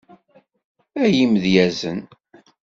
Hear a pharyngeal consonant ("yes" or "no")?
no